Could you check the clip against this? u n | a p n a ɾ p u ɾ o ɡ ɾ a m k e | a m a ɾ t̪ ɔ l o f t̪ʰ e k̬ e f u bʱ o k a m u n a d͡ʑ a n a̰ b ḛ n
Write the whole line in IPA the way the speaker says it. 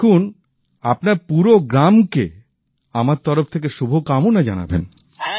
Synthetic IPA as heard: u n | a p n a ɾ p u ɾ o ɡ ɾ a m k e | a m a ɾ t̪ ɔ ɾ o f t̪ʰ e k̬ e ʃ u bʱ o k a m u n a d͡ʑ a n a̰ b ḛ n